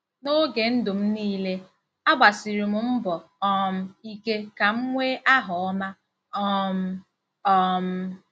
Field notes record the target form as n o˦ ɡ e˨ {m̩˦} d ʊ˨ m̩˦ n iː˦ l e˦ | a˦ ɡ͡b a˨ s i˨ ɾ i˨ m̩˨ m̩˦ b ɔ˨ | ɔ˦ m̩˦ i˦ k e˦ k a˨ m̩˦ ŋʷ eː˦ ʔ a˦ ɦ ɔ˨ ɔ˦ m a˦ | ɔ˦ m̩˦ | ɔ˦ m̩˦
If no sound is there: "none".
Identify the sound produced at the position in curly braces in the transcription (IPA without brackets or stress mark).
n̩˦